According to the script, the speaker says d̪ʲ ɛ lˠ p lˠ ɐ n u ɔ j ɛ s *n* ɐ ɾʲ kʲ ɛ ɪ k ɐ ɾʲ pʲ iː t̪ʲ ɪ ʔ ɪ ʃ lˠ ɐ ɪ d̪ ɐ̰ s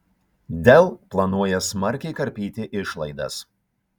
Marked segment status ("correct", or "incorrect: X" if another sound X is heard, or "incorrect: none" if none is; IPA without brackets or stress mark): incorrect: m